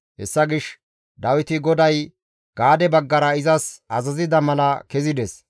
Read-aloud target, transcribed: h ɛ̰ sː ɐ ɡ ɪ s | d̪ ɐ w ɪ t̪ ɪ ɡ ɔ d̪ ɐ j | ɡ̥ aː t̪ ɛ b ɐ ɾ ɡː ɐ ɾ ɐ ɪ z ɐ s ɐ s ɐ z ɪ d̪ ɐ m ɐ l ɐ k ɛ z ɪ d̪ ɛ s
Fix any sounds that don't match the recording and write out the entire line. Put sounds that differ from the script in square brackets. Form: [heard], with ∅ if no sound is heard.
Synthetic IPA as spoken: h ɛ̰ sː ɐ ɡ ɪ [ʃ] | d̪ ɐ w ɪ t̪ ɪ ɡ ɔ d̪ ɐ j | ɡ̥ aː [d̪] ɛ b ɐ [∅] ɡː ɐ ɾ ɐ ɪ z ɐ s ɐ [z] ɐ z ɪ d̪ ɐ m ɐ l ɐ k ɛ z ɪ d̪ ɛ s